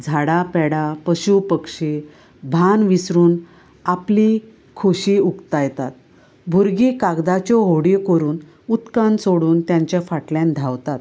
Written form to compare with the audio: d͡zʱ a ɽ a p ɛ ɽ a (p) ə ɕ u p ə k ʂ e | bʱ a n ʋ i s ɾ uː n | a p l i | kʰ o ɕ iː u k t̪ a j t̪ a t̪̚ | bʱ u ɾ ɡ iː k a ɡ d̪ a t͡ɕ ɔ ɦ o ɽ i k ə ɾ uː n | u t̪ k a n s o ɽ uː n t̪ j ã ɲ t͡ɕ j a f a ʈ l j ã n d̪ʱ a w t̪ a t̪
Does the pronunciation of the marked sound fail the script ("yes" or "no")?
no